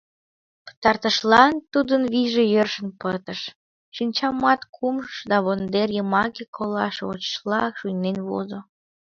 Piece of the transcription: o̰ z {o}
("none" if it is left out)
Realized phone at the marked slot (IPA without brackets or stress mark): o